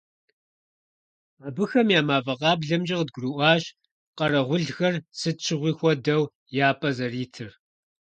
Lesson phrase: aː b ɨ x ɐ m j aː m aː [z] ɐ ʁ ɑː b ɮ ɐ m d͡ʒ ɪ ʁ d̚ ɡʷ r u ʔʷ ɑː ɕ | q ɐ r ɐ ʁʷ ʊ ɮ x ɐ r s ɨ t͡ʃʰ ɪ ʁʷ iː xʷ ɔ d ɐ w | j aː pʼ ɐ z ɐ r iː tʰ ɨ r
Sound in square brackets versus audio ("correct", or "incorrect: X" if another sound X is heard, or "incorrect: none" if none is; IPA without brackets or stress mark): incorrect: v